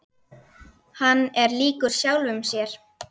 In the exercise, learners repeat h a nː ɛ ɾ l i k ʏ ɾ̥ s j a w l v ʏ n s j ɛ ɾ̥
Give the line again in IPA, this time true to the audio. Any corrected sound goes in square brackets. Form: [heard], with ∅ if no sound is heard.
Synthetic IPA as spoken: h a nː ɛ ɾ l [iː] k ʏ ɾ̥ s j a w l v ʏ [m] s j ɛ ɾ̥

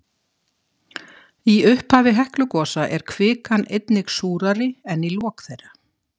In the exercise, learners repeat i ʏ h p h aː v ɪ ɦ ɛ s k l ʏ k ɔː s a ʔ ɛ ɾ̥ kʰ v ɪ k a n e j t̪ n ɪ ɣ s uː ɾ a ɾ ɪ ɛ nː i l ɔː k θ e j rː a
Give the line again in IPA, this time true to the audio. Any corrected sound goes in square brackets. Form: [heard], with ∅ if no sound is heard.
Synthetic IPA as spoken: i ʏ h p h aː v ɪ ɦ ɛ [h] k l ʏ k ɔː s a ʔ ɛ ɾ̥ kʰ v [ɪː] k a n e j t̪ n ɪ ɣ s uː ɾ a ɾ ɪ ɛ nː i l ɔː k θ e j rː a

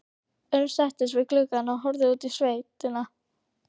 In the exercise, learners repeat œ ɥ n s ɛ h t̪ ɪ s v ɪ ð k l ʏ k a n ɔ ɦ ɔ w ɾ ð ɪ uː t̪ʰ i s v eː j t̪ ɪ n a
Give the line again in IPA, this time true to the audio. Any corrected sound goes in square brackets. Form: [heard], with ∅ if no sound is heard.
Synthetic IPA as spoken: œ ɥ n s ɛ h t̪ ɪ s v ɪ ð k l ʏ k a n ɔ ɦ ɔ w ɾ ð ɪ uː [t̪] i s v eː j t̪ ɪ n a

